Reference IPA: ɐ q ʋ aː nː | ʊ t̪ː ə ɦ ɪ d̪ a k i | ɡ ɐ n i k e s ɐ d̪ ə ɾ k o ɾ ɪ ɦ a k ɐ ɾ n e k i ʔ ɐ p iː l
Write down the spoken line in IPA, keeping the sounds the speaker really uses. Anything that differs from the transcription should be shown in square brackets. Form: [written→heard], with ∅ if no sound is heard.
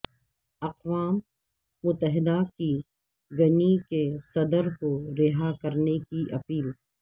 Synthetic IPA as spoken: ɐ q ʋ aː [nː→mː] | ʊ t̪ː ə ɦ ɪ d̪ a k i | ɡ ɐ n i k e s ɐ d̪ ə ɾ k o ɾ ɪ ɦ a k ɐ ɾ n e k i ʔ ɐ p iː l